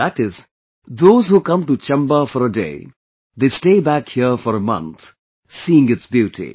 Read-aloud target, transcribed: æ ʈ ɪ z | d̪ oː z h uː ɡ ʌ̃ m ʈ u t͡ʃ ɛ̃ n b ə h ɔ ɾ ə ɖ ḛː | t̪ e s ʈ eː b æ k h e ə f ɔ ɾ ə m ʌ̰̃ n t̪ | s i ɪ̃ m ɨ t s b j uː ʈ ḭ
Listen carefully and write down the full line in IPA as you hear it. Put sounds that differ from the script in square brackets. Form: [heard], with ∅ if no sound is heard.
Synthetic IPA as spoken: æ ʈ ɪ z | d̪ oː z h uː [k] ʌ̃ m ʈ u t͡ʃ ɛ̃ [m] b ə [f] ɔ ɾ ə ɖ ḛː | [d̪] e s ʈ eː b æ k h [i] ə f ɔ ɾ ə m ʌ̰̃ n t̪ | s i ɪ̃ [ŋ] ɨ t s b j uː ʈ ḭ